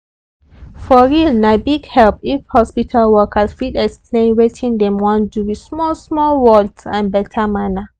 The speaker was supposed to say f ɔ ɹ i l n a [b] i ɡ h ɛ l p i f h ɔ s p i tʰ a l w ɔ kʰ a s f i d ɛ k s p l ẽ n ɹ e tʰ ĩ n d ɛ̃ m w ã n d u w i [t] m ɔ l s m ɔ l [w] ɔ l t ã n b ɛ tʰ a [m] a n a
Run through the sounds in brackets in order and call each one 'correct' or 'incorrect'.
correct, incorrect: s, correct, correct

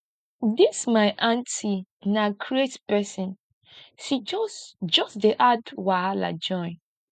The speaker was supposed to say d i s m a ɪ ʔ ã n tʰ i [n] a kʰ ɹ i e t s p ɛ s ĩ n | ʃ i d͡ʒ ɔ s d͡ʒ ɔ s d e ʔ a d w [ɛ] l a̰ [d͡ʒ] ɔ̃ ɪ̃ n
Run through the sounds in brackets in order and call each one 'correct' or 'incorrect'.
correct, incorrect: a, correct

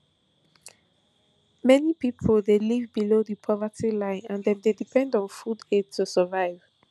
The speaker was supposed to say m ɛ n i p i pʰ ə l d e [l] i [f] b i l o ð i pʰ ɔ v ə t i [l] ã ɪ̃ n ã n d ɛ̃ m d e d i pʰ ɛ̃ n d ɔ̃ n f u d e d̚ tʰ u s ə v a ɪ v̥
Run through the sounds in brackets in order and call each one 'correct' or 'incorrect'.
correct, incorrect: v, correct

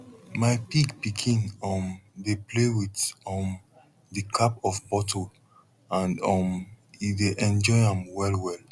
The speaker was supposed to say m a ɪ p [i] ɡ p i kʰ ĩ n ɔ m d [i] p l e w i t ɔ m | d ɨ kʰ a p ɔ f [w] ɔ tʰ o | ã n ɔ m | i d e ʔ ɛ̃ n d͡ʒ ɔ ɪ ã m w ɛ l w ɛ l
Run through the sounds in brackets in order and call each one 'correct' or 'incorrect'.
correct, incorrect: e, incorrect: b

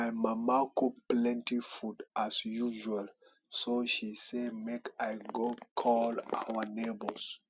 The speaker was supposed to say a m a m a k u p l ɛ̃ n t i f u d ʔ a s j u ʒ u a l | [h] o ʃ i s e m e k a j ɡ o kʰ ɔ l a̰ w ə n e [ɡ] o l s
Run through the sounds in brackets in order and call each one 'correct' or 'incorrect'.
incorrect: s, incorrect: b

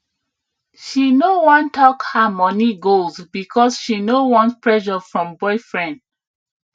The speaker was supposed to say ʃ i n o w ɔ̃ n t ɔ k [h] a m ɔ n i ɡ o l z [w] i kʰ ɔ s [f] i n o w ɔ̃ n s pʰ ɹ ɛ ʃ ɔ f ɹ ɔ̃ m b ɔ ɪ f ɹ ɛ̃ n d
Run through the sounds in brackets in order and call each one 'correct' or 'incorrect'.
correct, incorrect: b, incorrect: ʃ

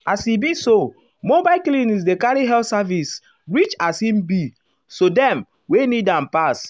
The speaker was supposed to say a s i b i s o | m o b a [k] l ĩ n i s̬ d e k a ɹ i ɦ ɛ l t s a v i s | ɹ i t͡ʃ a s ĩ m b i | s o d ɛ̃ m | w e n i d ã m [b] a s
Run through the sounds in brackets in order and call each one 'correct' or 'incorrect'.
correct, incorrect: p

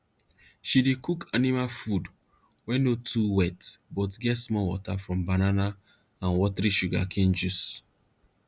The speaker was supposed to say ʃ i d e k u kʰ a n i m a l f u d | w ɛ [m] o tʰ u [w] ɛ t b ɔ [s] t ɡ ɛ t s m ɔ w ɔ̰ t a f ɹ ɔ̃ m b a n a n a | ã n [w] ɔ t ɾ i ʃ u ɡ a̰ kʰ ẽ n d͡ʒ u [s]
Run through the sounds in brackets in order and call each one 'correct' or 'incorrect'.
incorrect: n, correct, incorrect: none, correct, correct

